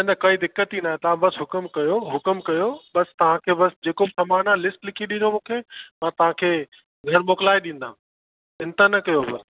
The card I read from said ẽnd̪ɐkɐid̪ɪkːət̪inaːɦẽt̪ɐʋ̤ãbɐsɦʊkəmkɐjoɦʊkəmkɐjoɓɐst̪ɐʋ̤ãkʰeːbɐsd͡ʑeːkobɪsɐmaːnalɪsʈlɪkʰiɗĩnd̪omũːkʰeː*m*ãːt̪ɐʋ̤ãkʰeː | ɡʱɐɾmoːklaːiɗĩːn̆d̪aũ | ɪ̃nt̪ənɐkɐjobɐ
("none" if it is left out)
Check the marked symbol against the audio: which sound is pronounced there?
m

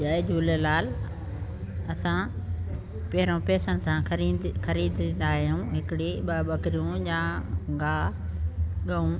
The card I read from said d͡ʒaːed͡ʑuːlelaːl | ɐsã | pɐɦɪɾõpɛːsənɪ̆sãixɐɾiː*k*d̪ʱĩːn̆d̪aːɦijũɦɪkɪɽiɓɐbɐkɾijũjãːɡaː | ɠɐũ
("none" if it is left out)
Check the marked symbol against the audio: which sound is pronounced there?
none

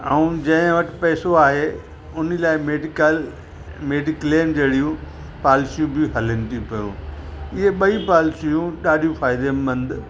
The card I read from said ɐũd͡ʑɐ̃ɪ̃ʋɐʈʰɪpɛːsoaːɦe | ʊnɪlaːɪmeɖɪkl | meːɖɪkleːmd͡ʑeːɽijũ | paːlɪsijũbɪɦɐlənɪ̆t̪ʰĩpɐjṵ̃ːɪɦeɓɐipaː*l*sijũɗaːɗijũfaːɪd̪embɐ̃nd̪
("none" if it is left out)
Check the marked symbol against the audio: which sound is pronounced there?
l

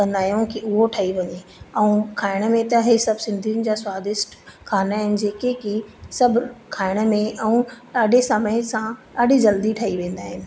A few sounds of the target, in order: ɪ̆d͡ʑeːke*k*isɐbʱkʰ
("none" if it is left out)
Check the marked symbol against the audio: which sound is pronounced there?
k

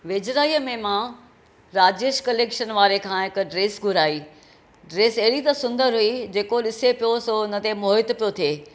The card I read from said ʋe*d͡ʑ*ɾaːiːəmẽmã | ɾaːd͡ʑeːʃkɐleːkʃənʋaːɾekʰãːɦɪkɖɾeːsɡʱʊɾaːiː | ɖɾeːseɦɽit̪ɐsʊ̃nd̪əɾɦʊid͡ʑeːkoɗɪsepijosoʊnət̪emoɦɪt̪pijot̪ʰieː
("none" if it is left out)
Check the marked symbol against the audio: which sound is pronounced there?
d͡ʑ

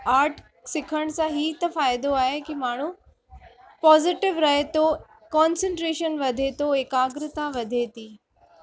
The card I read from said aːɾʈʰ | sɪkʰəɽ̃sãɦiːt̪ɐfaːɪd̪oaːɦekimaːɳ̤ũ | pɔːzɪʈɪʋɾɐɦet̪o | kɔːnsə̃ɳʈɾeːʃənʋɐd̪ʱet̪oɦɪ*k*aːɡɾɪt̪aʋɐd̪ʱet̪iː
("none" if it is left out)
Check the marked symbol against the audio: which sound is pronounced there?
k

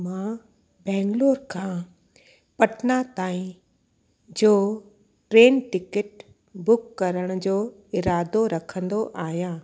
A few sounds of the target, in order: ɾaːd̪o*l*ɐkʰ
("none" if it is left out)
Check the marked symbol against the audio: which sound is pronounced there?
ɾ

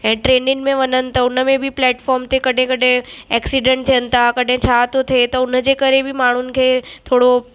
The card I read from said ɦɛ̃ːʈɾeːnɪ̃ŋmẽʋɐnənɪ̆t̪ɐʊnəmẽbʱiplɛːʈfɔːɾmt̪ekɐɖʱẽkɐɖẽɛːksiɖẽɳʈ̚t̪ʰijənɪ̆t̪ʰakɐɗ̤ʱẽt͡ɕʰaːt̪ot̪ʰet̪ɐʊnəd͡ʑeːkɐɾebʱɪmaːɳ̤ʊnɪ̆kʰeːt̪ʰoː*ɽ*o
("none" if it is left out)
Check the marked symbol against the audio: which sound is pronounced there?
ɽ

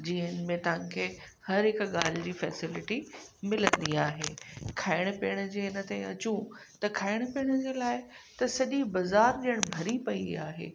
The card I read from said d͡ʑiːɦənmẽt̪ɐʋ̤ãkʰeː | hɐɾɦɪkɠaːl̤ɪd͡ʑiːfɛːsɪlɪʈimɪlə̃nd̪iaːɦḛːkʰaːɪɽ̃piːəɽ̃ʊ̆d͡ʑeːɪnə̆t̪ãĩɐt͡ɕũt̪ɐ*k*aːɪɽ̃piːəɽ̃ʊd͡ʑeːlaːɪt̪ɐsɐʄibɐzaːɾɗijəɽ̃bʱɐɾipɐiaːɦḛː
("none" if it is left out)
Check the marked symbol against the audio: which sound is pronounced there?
kʰ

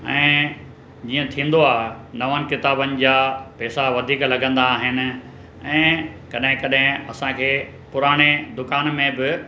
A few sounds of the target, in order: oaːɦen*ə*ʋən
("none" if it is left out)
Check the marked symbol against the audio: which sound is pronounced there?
ɐ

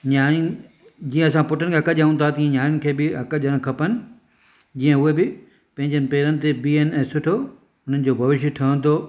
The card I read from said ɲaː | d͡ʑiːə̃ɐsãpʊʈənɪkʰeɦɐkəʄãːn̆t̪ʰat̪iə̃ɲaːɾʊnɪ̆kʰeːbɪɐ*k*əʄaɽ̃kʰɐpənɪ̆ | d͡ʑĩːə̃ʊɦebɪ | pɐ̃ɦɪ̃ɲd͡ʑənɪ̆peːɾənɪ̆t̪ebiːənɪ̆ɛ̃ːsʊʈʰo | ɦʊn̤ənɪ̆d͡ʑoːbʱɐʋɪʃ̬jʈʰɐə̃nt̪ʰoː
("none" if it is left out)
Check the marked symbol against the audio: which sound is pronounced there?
k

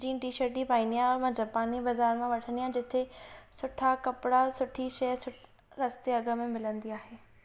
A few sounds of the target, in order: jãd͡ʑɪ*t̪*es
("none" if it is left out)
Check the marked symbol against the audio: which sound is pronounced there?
t̪ʰ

